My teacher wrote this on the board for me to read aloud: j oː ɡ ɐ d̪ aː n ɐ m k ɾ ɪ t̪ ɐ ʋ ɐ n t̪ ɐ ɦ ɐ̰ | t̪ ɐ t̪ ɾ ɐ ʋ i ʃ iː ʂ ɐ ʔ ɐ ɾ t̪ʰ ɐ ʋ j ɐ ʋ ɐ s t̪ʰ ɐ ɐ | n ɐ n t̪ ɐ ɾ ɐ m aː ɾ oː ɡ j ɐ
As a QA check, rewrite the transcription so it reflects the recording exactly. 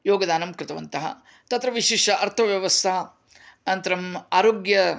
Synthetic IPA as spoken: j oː ɡ ɐ d̪ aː n ɐ m k ɾ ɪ t̪ ɐ ʋ ɐ n t̪ ɐ ɦ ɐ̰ | t̪ ɐ t̪ ɾ ɐ ʋ i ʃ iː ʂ ɐ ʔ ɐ ɾ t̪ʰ ɐ ʋ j ɐ ʋ ɐ s t̪ʰ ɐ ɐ | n ɐ n t̪ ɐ ɾ ɐ m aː ɾ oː ɡ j ɐ